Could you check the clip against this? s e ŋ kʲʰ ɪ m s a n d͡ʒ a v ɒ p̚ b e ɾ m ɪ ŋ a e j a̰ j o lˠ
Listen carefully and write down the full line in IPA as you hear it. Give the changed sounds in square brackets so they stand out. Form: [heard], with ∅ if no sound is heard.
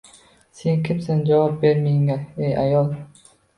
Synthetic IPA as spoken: s e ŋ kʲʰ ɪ m s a n d͡ʒ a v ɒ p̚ b e ɾ m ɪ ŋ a e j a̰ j [ɒ] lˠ